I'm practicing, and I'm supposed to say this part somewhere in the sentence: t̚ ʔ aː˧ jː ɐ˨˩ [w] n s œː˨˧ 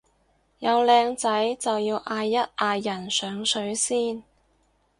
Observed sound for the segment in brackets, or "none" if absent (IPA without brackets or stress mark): none